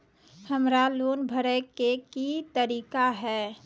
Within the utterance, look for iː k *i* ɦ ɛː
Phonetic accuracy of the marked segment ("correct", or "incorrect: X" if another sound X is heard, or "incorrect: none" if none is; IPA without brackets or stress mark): incorrect: a